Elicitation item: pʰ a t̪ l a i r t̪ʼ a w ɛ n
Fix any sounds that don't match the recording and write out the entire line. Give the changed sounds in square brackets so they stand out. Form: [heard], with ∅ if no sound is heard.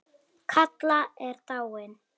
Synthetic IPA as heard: [kʰ] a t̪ l a [ɛ] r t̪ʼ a w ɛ n